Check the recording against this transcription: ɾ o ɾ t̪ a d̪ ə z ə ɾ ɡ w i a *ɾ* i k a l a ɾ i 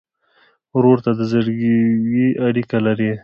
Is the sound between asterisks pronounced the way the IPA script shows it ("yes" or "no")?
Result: no